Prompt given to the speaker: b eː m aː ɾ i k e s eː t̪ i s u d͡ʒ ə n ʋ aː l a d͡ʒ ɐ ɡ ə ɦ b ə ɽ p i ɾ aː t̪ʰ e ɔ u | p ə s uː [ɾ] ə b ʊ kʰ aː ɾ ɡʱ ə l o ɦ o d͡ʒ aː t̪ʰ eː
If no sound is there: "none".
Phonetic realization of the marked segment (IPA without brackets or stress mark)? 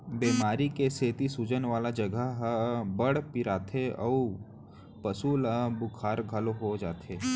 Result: l